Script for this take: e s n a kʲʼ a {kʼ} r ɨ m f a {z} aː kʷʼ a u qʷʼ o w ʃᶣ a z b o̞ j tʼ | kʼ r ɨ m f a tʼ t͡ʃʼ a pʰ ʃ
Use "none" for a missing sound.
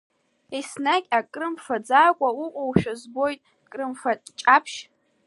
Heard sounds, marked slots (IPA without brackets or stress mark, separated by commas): kʼ, d͡z